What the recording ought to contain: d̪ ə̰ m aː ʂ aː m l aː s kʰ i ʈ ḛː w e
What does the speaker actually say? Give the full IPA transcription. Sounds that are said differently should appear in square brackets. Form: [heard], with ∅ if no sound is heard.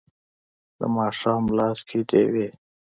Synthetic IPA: d̪ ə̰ m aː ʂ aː m l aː s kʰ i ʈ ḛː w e